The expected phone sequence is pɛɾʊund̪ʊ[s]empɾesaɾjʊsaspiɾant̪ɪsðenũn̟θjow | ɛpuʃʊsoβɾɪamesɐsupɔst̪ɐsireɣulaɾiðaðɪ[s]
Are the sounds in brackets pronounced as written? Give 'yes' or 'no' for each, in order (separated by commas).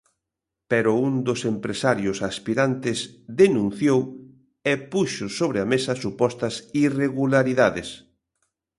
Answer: yes, yes